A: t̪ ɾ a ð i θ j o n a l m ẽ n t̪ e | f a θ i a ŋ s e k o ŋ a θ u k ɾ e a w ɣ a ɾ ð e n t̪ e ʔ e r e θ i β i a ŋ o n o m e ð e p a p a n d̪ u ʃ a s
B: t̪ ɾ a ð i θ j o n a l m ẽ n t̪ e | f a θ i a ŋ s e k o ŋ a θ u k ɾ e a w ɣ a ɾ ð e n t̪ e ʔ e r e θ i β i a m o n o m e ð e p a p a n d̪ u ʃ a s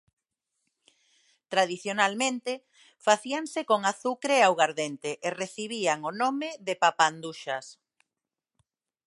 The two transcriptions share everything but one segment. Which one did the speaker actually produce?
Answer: A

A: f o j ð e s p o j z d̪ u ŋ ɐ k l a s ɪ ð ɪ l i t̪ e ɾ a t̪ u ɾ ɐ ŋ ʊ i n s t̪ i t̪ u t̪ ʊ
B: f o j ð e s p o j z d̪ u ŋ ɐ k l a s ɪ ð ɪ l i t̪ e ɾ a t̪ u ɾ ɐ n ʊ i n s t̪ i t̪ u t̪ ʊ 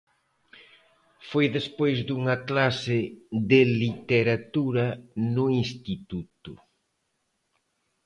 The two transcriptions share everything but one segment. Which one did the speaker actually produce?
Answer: B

